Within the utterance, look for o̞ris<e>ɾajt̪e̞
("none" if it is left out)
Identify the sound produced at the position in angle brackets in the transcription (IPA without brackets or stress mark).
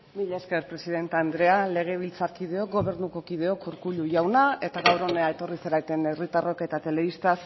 e